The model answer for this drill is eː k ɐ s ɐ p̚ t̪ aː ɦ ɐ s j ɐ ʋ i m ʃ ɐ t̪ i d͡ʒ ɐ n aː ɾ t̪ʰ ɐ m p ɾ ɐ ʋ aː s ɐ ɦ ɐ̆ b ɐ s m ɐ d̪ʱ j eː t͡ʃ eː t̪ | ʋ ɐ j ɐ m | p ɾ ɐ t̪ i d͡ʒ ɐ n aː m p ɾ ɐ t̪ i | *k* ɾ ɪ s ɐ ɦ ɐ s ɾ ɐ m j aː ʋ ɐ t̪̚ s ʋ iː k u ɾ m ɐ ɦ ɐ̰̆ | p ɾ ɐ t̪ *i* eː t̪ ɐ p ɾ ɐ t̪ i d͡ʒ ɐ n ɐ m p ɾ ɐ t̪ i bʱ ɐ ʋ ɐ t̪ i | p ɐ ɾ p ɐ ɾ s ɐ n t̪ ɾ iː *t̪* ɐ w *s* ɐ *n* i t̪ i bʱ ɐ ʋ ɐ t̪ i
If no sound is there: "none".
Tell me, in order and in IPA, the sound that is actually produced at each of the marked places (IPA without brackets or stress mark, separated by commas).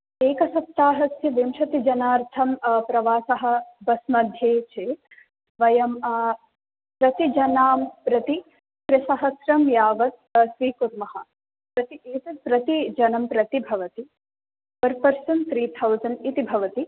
k, i, t̪ʰ, z, n